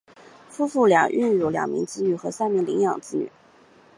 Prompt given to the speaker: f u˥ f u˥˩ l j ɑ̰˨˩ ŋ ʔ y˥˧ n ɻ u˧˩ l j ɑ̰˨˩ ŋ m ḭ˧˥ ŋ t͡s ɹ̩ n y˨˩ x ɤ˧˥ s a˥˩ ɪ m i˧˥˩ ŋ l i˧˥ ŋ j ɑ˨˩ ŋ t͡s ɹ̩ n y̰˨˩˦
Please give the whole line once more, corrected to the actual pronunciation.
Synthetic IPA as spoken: f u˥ f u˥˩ l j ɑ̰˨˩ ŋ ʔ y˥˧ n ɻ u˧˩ l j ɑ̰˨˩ ŋ m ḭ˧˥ ŋ t͡s ɹ̩ n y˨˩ x ɤ˧˥ s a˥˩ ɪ m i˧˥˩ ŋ l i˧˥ ŋ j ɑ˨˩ ŋ t͡s ɹ̩ n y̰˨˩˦

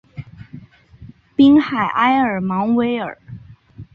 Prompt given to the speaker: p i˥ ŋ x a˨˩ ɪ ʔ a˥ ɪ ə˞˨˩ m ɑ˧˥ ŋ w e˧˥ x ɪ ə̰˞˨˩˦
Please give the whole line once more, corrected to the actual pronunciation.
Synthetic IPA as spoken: p i˥ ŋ x a˨˩ ɪ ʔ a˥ ɪ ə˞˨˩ m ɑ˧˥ ŋ w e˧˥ ɪ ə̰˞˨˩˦

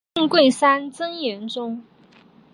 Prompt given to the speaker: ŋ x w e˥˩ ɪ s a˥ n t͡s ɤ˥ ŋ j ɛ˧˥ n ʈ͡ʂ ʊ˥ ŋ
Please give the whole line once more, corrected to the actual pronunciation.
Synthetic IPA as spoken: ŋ k w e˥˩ ɪ s a˥ n t͡s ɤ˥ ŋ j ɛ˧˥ n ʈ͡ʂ ʊ˥ ŋ

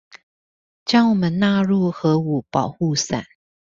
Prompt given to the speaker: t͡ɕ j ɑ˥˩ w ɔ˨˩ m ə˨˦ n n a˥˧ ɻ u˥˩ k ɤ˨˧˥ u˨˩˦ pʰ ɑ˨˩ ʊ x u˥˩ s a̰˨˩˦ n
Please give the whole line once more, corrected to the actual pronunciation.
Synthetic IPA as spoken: t͡ɕ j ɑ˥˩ w ɔ˨˩ m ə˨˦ n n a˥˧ ɻ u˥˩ x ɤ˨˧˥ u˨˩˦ p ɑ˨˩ ʊ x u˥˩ s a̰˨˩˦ n

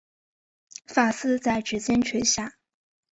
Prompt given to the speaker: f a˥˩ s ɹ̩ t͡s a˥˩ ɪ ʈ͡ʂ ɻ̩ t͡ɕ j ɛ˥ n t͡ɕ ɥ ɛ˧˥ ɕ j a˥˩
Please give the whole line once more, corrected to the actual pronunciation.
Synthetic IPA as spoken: f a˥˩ s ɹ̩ t͡s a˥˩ ɪ ʈ͡ʂ ɻ̩ t͡ɕ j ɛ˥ n t͡ɕʰ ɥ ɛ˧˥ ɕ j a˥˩

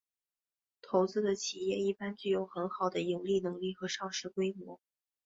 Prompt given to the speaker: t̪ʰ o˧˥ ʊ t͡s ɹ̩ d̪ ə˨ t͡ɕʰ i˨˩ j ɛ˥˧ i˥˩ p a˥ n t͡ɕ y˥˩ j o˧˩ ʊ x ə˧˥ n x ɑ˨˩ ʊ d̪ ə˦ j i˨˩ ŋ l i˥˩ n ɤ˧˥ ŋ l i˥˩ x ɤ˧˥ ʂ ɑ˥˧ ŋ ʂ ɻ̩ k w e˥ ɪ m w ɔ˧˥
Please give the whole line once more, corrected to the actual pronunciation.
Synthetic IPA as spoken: t̪ʰ o˧˥ ʊ t͡s ɹ̩ d̪ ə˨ t͡ɕʰ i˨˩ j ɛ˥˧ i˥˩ p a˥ n t͡ɕ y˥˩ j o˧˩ ʊ x ə˧˥ n x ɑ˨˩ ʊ d̪ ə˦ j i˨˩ ŋ l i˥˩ n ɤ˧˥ ŋ l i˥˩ x ɤ˧˥ ʂ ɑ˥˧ ŋ ʂ ɻ̩ k w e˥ ɪ m w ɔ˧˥

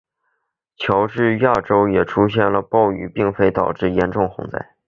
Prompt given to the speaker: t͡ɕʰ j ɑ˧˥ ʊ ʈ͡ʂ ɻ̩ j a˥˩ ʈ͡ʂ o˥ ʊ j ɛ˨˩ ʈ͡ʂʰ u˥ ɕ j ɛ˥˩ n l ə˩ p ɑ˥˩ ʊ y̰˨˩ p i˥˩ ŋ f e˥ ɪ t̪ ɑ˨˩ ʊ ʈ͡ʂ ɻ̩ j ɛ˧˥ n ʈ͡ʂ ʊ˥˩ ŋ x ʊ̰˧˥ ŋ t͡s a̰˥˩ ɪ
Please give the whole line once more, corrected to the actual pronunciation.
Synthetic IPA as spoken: t͡ɕʰ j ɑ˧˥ ʊ ʈ͡ʂ ɻ̩ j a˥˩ ʈ͡ʂ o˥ ʊ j ɛ˨˩ ʈ͡ʂʰ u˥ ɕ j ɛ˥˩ n l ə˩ p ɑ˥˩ ʊ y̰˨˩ p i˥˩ ŋ f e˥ ɪ t̪ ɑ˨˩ ʊ ʈ͡ʂ ɻ̩ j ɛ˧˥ n ʈ͡ʂ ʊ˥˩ ŋ x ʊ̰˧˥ ŋ t͡s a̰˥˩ ɪ

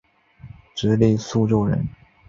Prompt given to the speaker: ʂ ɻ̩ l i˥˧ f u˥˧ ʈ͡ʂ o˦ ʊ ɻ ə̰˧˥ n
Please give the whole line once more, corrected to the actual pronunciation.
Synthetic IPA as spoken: ʈ͡ʂ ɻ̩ l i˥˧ s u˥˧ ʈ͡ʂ o˥˩ ʊ ɻ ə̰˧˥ n

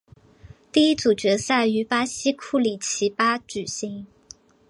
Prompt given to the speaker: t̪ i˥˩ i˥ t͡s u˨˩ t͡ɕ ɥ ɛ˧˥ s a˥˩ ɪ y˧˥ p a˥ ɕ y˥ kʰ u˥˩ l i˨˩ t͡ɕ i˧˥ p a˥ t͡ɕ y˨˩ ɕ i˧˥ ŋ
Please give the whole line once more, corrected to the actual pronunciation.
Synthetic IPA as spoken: t̪ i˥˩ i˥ t͡s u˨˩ t͡ɕ ɥ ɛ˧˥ s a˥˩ ɪ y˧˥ p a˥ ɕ i˥ kʰ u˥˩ l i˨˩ t͡ɕʰ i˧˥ p a˥ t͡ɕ y˨˩ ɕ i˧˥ ŋ

